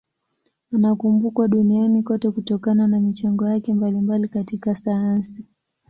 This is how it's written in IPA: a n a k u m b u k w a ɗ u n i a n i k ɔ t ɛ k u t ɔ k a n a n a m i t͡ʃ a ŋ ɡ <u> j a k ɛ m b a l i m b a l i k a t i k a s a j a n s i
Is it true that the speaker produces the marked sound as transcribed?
no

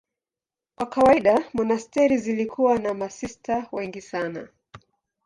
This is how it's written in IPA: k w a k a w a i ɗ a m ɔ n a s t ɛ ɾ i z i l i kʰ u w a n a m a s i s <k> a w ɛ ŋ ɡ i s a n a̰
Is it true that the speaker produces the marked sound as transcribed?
no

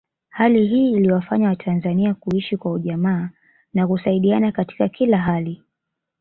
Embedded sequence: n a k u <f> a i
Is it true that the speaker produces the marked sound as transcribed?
no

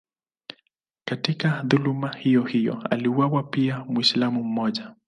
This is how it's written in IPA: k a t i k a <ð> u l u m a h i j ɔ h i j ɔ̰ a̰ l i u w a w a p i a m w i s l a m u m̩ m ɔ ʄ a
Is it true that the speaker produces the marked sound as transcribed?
yes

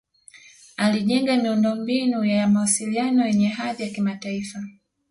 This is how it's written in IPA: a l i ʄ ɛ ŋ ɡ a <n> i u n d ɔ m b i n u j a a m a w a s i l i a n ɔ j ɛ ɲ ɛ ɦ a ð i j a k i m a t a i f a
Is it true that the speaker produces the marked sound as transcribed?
no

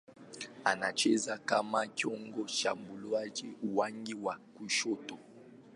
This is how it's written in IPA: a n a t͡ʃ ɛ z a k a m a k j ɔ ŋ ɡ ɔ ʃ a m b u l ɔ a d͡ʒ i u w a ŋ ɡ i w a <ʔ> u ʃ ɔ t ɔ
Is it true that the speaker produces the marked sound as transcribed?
no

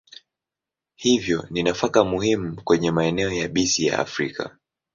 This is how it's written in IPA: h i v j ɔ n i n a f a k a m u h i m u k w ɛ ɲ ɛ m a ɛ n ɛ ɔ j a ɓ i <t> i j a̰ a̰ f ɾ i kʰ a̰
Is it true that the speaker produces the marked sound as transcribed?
no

